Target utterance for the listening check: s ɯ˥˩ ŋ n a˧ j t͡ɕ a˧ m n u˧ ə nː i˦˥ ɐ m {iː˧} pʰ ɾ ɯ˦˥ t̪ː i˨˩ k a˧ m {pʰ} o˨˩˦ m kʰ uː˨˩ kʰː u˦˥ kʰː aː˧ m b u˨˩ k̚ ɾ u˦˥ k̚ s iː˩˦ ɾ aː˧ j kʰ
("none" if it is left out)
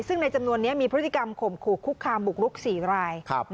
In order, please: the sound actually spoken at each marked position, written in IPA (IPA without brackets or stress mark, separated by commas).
iː˧, kʰ